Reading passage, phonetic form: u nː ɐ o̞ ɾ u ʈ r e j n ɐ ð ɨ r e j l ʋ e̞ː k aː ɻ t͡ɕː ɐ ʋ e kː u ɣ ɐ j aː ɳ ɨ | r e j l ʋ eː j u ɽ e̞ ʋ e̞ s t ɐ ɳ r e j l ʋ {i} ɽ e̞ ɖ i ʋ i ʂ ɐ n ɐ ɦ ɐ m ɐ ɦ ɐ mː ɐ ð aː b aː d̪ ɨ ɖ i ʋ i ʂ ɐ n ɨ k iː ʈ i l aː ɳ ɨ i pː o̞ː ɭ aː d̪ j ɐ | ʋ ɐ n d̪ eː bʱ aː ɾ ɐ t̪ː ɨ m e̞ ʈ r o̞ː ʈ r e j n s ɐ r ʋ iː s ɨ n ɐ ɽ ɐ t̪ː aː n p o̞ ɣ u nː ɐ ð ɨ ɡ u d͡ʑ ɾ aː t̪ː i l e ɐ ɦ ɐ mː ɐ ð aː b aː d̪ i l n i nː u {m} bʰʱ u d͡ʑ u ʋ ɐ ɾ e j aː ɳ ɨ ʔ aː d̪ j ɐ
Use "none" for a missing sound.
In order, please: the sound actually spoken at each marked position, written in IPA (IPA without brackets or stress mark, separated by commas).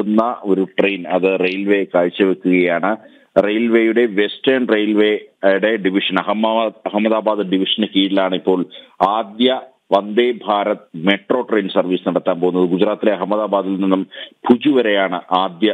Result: e, m